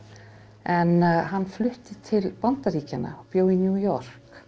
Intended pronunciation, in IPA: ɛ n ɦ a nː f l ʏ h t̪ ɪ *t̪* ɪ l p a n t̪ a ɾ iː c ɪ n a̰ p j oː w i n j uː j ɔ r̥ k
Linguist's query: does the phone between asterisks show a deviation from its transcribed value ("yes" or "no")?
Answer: yes